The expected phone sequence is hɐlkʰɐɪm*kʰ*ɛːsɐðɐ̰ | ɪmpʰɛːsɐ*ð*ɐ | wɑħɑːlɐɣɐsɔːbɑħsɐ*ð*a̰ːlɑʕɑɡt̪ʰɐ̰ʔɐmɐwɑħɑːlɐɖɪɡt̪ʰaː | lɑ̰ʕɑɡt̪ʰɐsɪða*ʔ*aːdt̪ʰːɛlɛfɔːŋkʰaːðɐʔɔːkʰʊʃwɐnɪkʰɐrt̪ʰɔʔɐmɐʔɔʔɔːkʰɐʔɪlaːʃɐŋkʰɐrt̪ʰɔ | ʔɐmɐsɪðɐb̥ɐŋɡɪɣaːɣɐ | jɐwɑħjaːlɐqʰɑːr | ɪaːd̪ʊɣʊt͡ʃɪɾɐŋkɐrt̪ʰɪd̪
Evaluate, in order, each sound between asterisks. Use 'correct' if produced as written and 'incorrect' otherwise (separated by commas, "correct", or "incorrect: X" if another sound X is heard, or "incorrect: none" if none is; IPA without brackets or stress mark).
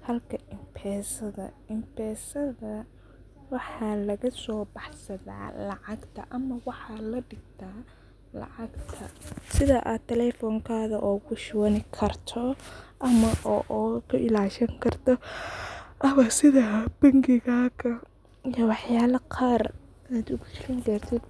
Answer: incorrect: pʰ, correct, correct, correct